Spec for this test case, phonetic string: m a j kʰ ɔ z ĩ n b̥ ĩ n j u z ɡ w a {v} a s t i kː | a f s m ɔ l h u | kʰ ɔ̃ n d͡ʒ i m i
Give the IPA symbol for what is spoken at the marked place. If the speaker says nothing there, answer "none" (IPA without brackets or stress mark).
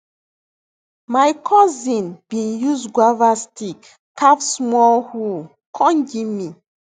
v